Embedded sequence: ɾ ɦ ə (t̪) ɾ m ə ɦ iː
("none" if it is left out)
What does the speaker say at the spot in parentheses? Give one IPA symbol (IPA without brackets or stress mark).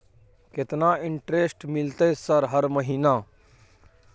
none